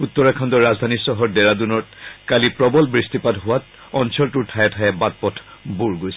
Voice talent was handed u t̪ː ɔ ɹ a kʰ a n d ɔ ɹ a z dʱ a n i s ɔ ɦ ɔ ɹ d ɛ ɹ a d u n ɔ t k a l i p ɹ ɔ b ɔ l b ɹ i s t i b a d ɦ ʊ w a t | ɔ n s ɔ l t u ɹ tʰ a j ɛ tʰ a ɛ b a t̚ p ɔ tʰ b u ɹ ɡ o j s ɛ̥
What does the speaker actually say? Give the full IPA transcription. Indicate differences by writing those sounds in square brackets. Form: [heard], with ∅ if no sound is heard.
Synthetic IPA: u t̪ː ɔ ɹ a kʰ a n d ɔ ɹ a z dʱ a n i s ɔ ɦ ɔ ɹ d ɛ ɹ a d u n ɔ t k a l i p ɹ ɔ b ɔ l b ɹ i s t i [p] a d ɦ ʊ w a t | ɔ n s ɔ l t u ɹ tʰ a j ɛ tʰ a ɛ b a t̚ p ɔ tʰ b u ɹ ɡ o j s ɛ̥